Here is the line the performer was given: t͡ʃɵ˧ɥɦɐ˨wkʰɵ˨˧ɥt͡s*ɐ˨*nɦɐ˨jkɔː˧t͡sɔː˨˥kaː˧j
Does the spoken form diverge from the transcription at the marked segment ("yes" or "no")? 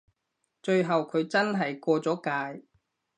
yes